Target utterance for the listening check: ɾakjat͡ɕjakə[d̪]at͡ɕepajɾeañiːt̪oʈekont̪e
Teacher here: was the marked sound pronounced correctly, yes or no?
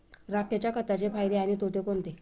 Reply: no